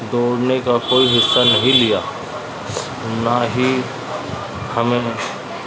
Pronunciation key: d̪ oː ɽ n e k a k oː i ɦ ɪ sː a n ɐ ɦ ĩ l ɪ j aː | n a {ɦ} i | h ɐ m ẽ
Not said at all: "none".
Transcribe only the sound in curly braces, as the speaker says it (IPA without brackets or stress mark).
ɦ